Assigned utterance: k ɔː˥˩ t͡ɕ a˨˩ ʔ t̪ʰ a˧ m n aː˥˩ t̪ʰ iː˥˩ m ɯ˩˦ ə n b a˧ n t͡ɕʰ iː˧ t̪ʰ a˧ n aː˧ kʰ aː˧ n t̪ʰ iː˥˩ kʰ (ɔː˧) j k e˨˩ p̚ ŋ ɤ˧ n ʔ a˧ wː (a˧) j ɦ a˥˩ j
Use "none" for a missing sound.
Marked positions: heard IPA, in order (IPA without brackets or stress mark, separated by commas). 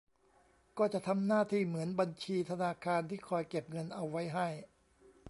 ɔː˧, a˦˥